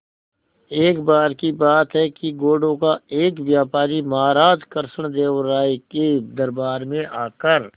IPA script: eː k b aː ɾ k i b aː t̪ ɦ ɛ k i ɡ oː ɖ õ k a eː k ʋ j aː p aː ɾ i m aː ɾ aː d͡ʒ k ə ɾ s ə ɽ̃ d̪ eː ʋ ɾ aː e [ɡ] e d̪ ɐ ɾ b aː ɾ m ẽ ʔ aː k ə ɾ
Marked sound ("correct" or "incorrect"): incorrect